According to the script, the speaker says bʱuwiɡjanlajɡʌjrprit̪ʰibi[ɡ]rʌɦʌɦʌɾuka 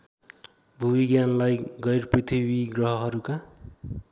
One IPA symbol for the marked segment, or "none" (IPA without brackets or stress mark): ɡ